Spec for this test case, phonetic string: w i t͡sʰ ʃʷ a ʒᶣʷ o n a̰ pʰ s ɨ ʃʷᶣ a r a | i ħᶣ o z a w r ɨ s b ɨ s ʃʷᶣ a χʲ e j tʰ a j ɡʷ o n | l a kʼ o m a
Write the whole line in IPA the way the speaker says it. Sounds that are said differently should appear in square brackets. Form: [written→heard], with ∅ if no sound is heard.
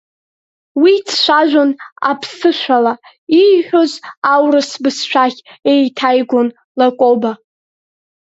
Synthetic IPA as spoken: w i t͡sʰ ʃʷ a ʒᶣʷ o n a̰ pʰ s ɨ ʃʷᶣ a [r→l] a | i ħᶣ o z a w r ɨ s b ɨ s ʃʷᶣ a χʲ e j tʰ a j ɡʷ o n | l a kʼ o [m→b] a